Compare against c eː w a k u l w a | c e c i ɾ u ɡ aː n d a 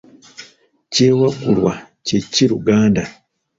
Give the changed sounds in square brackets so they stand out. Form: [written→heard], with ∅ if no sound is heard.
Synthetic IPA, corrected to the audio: c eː w a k u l w a | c e c i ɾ u ɡ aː n d a